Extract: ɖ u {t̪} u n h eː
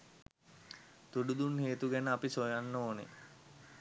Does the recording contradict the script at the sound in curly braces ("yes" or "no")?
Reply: yes